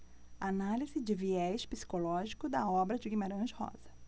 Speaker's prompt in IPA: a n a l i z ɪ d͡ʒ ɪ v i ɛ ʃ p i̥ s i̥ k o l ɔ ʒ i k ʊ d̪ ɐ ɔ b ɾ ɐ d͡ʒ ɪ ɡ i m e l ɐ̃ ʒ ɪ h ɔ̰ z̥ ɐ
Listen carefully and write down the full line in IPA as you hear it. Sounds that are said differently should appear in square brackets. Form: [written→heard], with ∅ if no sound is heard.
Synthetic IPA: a n a l i z ɪ d͡ʒ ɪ v i ɛ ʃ p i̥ s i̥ k o l ɔ ʒ i k ʊ d̪ ɐ ɔ b ɾ ɐ d͡ʒ ɪ ɡ i m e [l→ɾ] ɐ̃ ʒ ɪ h ɔ̰ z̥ ɐ